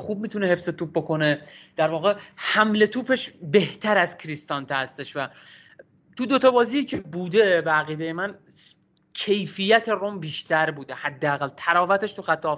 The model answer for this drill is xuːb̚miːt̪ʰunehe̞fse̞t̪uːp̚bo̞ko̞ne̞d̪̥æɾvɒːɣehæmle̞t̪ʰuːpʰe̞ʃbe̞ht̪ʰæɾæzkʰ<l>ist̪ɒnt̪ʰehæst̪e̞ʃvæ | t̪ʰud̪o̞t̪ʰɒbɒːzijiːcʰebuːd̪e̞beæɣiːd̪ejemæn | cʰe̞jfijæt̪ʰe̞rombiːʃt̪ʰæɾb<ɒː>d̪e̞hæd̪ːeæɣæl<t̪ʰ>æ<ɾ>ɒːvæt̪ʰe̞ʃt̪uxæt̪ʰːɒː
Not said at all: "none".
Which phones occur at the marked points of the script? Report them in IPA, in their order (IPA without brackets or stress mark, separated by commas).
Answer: ɾ, uː, t̪ʰ, ɾ